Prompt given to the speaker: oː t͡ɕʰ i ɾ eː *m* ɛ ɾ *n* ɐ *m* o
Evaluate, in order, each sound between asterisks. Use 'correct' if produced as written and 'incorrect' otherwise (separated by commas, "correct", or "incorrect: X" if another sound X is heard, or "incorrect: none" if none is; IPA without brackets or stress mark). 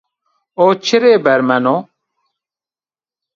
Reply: incorrect: b, incorrect: m, incorrect: n